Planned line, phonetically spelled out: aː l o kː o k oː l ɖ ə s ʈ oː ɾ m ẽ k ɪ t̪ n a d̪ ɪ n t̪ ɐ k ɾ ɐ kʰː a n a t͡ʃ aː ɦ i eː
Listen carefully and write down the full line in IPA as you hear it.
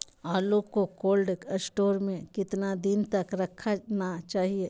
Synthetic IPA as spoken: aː l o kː o k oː l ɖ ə s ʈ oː ɾ m ẽ k ɪ t̪ n a d̪ ɪ n t̪ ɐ k ɾ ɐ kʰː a n a t͡ʃ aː ɦ i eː